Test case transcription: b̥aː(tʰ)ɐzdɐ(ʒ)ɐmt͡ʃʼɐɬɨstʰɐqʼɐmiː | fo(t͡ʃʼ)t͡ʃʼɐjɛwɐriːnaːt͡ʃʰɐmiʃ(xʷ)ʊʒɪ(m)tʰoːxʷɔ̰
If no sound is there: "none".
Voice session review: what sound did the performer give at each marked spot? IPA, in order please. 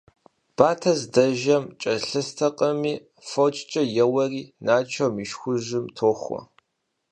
tʰ, ʒ, t͡ʃʼ, xʷ, m

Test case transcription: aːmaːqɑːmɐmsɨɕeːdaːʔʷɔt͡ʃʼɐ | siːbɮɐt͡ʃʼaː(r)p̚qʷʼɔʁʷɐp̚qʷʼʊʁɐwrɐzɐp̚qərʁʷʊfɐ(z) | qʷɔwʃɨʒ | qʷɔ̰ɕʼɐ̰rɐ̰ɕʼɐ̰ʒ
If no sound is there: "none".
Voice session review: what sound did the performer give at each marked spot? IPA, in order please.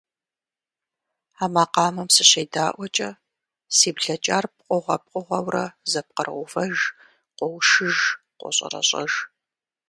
r, ʒ

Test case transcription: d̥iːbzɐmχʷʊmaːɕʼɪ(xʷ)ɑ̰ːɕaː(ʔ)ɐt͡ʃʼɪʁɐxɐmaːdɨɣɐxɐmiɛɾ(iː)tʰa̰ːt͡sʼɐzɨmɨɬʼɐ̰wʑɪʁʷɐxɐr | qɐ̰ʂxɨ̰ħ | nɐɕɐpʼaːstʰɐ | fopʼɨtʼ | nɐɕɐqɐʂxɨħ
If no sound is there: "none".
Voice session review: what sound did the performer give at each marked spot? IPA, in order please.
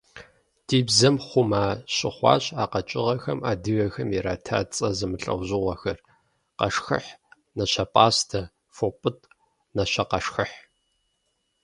χʷ, q, aː

